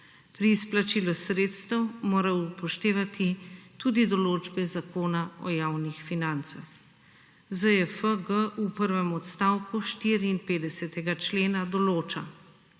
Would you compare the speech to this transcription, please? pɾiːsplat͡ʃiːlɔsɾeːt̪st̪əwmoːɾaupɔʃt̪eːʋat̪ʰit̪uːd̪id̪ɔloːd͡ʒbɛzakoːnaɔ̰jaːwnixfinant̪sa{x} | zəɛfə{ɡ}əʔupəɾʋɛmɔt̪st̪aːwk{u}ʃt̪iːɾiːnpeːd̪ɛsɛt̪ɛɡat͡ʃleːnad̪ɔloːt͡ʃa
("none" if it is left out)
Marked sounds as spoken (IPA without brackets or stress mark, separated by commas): x, ɡ, u